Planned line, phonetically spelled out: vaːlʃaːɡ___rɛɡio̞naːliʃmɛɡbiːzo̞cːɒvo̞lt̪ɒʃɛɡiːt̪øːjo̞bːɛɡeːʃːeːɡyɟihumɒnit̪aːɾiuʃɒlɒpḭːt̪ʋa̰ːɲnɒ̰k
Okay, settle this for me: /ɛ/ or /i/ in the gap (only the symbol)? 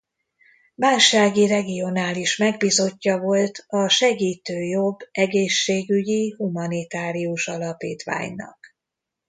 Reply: i